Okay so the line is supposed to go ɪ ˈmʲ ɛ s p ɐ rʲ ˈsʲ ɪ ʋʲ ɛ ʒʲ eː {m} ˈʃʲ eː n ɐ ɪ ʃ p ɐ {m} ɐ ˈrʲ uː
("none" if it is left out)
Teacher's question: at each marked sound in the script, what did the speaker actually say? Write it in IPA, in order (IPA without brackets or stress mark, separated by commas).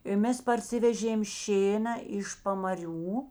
m, m